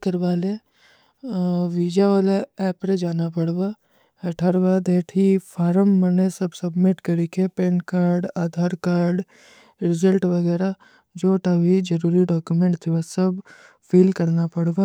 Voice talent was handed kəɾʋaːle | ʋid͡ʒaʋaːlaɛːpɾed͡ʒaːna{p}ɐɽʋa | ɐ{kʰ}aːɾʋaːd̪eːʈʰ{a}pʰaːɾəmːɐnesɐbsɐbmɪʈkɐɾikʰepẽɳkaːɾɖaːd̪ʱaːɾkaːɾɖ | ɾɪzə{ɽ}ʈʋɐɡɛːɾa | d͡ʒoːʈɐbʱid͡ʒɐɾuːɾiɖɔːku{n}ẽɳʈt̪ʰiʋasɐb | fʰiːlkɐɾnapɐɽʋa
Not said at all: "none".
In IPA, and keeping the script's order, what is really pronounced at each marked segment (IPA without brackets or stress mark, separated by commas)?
p, ʈʰ, i, l, m